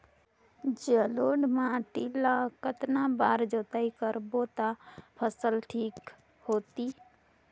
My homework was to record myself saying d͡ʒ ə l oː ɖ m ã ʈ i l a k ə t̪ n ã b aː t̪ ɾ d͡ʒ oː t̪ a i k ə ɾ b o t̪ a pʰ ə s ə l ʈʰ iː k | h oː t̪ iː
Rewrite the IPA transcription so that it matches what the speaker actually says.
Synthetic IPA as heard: d͡ʒ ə l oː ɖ m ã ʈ i l a k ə t̪ n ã b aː ɾ d͡ʒ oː t̪ a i k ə ɾ b o t̪ a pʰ ə s ə l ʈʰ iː k | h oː t̪ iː